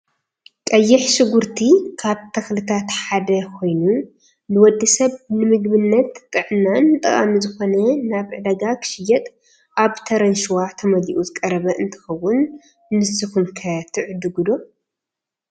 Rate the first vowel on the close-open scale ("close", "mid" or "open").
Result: open